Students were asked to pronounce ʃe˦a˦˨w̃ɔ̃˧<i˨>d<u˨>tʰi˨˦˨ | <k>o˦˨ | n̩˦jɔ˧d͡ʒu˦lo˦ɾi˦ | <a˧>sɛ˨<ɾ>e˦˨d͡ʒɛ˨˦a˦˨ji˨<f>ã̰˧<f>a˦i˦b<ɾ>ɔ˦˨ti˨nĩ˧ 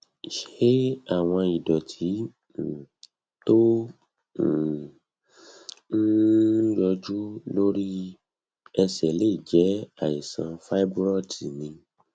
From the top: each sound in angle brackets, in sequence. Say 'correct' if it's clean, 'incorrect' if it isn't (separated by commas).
correct, incorrect, incorrect, incorrect, incorrect, incorrect, correct, correct